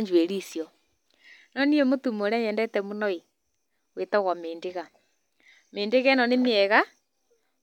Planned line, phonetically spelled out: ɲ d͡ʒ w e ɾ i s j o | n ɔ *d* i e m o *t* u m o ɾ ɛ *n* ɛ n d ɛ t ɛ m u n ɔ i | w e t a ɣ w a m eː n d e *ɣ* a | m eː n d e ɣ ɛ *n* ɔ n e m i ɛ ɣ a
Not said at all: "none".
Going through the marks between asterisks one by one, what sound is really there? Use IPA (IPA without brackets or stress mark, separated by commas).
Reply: n, t, ɲ, ɣ, n